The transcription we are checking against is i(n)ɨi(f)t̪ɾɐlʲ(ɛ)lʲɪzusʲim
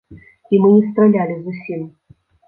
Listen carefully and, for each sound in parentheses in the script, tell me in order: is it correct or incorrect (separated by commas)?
incorrect, incorrect, incorrect